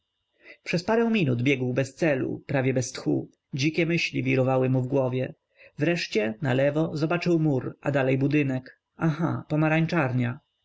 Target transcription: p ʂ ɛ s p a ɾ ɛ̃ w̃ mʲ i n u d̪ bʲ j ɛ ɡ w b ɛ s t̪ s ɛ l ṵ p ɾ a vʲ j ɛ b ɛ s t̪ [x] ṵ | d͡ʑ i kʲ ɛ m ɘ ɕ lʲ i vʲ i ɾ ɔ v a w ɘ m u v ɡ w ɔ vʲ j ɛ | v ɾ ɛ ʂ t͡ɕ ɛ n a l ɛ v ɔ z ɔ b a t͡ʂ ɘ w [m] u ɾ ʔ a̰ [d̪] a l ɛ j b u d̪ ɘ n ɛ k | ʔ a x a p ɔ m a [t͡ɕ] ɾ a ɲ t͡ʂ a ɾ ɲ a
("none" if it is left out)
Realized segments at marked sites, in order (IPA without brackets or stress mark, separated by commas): x, m, d̪, none